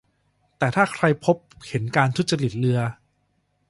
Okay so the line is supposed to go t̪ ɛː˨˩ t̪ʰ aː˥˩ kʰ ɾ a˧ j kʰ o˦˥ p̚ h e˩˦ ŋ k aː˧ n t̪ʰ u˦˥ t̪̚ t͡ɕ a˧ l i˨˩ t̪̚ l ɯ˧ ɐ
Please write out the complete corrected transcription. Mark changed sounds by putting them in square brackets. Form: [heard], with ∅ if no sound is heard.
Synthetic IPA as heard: t̪ ɛː˨˩ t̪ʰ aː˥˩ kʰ ɾ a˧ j [pʰ] o˦˥ p̚ h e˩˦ [n] k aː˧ n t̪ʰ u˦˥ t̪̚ t͡ɕ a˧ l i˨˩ t̪̚ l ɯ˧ ɐ